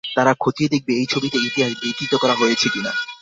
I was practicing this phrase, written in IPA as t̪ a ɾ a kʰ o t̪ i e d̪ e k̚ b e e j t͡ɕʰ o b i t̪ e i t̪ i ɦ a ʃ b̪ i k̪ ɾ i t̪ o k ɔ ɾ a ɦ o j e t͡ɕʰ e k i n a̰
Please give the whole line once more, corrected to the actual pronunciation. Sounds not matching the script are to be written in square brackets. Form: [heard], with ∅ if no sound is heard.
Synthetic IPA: t̪ a ɾ a kʰ o t̪ i e d̪ e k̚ b e e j t͡ɕʰ o b i t̪ e i t̪ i ɦ a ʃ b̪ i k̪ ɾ i t̪ o k ɔ ɾ a ɦ o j e t͡ɕʰ e k i n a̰